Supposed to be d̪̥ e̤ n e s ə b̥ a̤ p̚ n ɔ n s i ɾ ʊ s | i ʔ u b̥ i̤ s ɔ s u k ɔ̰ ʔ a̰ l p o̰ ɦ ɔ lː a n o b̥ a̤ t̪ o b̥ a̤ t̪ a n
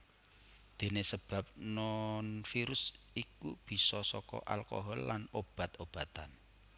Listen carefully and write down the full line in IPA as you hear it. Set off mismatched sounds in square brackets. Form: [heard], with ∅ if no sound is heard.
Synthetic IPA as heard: d̪̥ e̤ n e s ə b̥ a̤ p̚ n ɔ n [f] i ɾ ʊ s | i [k] u b̥ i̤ s ɔ s [ɔ] k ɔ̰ ʔ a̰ l [k] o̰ ɦ ɔ lː a n o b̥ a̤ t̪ o b̥ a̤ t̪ a n